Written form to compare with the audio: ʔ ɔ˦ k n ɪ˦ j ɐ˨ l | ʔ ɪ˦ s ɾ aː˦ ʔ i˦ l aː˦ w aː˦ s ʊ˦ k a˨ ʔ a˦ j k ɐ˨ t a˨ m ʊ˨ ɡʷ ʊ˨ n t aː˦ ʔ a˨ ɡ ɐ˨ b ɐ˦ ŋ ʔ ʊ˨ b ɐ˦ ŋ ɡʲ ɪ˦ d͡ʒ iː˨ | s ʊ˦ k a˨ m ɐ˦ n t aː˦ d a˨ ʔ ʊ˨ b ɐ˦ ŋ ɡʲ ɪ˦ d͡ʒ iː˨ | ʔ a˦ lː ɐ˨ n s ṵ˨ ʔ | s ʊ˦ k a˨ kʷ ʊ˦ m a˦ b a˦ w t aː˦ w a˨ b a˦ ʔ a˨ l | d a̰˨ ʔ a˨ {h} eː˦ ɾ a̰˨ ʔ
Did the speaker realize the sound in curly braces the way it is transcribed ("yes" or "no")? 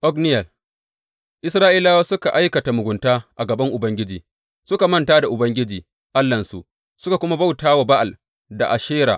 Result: no